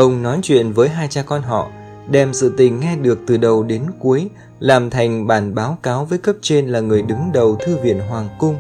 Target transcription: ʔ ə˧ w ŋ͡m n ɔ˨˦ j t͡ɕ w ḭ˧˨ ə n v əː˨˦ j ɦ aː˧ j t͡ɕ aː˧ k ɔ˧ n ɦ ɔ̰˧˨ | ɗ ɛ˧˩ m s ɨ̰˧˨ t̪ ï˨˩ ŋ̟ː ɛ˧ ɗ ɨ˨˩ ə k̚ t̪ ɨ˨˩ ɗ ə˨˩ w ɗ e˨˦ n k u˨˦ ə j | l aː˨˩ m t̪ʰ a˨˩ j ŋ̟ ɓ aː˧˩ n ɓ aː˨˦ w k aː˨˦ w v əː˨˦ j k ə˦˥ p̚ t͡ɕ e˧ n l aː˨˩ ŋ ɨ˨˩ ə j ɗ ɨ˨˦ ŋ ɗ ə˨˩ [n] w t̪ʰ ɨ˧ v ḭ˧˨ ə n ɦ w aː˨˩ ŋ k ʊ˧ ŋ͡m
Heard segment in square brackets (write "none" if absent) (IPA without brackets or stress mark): none